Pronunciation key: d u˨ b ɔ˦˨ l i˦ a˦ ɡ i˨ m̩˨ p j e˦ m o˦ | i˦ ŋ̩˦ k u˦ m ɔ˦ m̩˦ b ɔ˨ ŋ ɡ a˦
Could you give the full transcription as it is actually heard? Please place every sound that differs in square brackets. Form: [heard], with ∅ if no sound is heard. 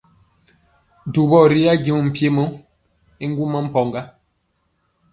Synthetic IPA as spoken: d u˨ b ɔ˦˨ [ɾ] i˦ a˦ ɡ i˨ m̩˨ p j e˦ m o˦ | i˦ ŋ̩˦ [ɡ] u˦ m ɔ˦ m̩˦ [p] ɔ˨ ŋ ɡ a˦